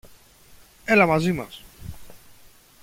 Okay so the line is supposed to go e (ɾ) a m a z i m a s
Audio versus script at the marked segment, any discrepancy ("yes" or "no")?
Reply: yes